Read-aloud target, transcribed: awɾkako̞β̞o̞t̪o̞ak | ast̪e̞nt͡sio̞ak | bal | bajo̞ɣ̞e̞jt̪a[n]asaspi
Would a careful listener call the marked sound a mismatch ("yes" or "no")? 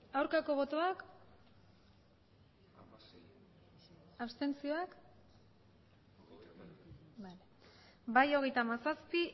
yes